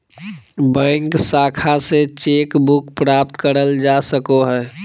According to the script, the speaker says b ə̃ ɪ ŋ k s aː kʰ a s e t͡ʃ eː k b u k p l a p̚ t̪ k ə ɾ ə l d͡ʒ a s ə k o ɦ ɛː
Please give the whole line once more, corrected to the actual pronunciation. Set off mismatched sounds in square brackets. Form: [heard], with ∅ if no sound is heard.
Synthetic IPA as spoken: b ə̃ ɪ ŋ k s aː kʰ a s e t͡ʃ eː k b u k p [ɾ] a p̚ t̪ k ə ɾ ə l d͡ʒ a s ə k o ɦ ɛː